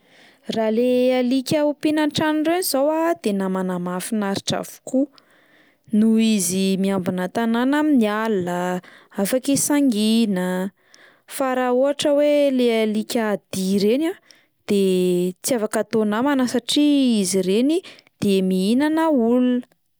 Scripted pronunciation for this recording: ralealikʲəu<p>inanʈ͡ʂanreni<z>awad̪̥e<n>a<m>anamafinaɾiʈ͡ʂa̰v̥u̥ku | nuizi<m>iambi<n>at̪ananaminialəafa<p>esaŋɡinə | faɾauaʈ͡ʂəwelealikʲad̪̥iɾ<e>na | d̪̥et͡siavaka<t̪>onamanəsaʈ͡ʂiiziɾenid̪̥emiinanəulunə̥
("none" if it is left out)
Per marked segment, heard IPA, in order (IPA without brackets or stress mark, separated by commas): p, z, n, m, m, n, k, e, t̪